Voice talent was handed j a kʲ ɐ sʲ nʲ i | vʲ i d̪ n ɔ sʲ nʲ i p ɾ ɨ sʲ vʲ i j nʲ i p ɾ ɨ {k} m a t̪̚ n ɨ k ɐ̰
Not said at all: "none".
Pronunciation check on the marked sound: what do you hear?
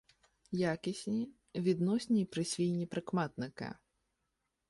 k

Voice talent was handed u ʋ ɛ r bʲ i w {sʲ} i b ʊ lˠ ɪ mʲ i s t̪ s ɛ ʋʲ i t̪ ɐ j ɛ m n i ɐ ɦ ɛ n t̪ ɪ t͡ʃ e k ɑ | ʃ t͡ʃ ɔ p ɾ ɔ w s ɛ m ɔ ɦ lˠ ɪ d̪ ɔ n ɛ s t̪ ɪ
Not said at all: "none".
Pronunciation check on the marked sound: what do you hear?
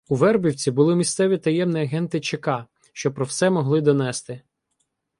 t͡sʲ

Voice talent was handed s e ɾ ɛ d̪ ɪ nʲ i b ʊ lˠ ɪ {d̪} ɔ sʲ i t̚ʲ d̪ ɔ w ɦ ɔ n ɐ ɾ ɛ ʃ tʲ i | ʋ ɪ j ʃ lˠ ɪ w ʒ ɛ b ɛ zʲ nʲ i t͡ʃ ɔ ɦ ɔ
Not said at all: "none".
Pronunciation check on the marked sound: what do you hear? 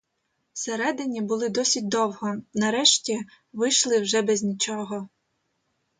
d̪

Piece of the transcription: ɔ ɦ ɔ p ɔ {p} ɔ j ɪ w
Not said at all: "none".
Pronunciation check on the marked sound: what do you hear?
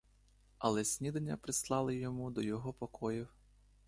k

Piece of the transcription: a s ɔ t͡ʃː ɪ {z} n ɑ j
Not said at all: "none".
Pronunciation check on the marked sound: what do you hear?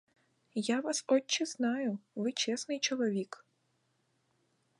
z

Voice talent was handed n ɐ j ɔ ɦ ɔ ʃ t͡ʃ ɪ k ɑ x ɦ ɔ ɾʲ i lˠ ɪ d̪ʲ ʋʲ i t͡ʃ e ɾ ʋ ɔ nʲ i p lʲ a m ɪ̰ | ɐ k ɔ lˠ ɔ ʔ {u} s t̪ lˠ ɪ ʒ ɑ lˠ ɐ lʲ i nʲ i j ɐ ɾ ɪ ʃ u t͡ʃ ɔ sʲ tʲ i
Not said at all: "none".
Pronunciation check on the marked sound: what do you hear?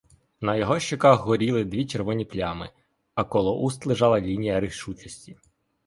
u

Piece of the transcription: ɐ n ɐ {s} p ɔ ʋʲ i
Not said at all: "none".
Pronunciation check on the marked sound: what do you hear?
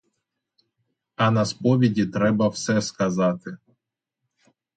s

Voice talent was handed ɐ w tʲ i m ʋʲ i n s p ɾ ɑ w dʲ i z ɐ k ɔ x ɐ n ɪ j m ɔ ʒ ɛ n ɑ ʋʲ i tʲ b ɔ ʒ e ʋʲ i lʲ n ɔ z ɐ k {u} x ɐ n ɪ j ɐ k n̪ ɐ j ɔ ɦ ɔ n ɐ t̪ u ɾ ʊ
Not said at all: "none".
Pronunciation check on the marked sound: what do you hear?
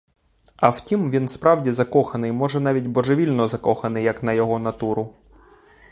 ɔ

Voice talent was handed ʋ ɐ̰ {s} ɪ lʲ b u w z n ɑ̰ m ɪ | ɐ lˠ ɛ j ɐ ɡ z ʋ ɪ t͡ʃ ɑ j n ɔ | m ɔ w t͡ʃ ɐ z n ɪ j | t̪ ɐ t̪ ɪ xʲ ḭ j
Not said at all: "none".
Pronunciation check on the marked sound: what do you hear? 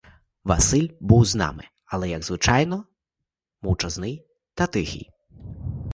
s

